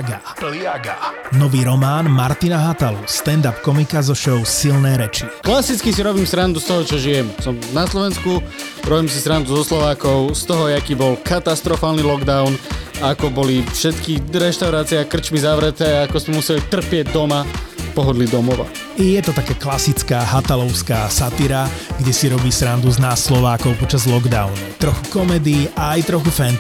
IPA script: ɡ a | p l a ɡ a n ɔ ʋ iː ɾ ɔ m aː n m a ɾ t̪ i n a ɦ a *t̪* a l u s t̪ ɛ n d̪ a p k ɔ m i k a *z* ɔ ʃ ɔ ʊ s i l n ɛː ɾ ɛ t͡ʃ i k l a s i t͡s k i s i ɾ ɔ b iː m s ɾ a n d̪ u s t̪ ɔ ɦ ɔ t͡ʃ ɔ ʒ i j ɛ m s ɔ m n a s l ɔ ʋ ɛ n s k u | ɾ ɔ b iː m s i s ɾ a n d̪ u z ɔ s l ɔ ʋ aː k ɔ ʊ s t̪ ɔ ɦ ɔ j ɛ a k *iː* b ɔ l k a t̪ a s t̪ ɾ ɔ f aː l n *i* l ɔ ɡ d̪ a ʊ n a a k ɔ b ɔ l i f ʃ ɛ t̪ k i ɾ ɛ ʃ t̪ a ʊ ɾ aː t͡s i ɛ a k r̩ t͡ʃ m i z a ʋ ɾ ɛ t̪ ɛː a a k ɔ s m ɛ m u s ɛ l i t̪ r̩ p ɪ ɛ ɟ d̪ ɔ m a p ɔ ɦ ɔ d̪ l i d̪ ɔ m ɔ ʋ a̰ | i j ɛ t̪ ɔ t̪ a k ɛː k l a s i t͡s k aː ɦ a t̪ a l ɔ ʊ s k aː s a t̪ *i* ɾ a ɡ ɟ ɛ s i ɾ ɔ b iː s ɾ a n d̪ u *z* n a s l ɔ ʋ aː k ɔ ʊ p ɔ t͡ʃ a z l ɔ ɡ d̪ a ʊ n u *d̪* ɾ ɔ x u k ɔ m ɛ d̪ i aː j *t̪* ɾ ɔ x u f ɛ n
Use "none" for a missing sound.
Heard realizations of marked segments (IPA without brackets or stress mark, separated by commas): t̪, z, iː, i, i, z, t̪, t̪